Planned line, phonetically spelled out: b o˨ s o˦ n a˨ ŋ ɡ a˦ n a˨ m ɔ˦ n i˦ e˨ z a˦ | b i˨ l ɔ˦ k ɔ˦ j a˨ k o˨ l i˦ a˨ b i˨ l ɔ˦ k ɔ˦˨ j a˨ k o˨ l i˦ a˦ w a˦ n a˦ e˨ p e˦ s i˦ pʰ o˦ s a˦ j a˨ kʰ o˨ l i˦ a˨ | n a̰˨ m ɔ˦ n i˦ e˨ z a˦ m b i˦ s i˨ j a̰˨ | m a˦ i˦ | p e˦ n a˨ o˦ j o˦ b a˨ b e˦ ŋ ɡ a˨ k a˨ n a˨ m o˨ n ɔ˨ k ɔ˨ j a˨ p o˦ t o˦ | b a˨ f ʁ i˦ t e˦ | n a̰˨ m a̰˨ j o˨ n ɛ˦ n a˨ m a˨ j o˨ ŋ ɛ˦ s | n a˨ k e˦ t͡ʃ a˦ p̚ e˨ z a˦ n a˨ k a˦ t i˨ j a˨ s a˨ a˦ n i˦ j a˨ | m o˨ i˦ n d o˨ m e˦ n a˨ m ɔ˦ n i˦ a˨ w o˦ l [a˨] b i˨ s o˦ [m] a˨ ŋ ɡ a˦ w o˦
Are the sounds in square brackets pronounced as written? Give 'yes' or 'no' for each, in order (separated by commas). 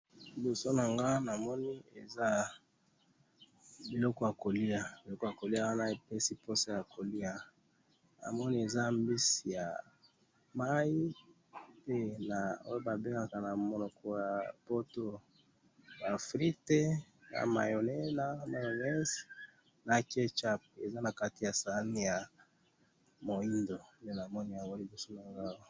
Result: no, no